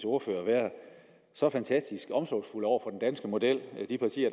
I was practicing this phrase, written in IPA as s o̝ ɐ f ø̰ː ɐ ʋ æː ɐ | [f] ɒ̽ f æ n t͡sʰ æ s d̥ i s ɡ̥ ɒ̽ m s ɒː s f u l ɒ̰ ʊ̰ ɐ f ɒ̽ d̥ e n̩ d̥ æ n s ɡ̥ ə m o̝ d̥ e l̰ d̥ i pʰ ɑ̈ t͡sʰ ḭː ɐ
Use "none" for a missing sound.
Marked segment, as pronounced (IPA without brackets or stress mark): s